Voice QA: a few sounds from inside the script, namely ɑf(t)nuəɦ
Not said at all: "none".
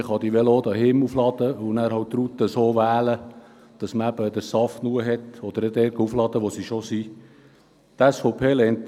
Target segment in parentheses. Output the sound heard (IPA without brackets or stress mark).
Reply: t